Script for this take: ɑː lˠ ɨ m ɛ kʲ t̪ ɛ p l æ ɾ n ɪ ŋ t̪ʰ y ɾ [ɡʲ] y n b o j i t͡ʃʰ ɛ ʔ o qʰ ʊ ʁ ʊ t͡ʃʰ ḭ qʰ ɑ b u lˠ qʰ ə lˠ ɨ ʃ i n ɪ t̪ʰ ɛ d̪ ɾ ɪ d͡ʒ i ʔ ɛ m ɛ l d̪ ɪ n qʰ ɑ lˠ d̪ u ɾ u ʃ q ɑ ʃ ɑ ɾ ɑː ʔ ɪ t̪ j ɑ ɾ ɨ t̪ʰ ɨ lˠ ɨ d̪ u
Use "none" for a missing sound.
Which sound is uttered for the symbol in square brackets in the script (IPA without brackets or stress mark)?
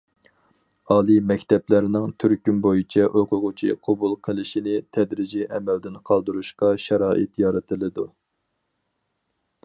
kʲ